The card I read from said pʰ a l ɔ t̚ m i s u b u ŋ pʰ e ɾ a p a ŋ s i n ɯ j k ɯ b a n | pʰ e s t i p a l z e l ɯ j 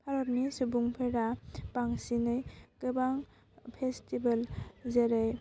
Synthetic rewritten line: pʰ a ɾ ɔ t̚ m i s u b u ŋ pʰ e ɾ a p a ŋ s i n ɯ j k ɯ b a ŋ | pʰ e s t i b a l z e ɾ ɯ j